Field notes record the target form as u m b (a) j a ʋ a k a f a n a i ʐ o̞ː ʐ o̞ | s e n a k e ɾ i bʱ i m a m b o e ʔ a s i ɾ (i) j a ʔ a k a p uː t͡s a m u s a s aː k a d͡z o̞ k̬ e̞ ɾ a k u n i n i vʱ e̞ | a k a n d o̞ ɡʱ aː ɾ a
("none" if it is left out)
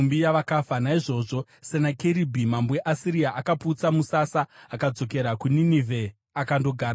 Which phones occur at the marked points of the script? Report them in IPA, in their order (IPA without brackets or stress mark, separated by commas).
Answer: i, i